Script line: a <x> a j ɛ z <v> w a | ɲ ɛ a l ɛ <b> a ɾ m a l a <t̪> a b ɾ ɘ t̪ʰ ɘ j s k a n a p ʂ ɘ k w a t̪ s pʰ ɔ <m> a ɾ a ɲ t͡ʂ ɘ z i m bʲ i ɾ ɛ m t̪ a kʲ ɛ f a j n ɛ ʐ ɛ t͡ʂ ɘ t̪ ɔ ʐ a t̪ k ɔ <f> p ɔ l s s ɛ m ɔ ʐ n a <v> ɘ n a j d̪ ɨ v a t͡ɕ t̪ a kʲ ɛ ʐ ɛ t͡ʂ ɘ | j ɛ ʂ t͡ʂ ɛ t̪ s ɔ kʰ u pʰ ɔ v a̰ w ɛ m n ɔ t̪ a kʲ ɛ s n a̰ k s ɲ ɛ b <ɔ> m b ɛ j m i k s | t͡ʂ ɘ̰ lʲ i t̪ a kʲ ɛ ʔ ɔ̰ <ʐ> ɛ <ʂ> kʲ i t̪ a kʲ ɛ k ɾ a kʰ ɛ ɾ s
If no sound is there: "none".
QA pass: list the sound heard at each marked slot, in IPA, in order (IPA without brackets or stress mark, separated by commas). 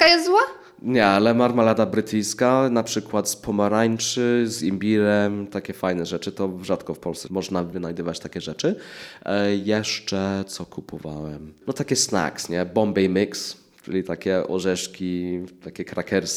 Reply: k, z, m, d̪, m, f, v, ɔ, ʐ, ʂ